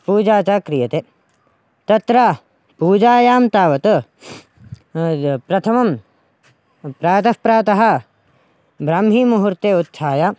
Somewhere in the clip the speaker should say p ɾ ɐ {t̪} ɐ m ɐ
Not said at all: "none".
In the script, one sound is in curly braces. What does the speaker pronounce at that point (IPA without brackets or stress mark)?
t̪ʰ